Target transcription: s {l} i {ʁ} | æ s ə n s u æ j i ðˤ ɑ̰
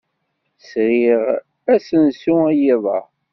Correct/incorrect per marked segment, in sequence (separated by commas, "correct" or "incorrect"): incorrect, correct